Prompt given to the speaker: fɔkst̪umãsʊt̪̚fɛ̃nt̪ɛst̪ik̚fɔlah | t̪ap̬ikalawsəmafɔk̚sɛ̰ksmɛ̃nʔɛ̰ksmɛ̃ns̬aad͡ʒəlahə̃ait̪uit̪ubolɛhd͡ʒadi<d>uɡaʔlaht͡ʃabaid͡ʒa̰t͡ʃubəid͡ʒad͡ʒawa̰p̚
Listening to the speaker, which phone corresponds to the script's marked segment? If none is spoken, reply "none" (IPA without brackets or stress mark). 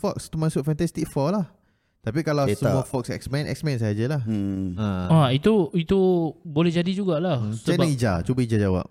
d͡ʒ